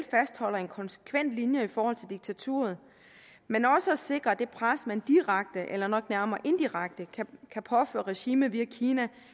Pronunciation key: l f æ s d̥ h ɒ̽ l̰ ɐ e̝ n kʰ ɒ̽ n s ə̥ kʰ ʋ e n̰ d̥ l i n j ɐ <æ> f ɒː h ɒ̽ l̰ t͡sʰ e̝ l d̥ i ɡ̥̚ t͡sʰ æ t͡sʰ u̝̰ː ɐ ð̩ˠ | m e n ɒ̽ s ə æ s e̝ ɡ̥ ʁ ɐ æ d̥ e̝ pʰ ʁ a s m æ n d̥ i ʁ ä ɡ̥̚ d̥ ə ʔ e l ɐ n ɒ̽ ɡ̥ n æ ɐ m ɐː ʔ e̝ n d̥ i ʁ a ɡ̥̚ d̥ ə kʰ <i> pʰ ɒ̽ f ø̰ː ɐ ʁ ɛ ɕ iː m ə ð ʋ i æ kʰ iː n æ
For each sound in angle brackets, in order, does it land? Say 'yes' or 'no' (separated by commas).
no, no